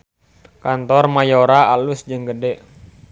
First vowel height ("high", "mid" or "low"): low